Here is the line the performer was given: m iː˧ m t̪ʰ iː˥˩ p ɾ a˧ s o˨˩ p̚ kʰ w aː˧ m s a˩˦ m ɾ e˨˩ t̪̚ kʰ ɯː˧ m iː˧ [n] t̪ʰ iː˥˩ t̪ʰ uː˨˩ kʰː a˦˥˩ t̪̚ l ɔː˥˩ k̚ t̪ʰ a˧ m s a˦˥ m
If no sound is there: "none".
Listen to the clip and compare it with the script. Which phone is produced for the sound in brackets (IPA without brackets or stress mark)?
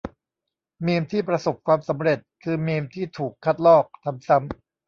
m